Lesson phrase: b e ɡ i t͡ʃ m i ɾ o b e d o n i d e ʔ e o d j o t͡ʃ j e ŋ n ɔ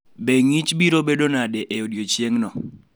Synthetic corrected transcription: b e ŋ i t͡ʃ b i ɾ o b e d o n a d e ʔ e o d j o t͡ʃ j e ŋ n ɔ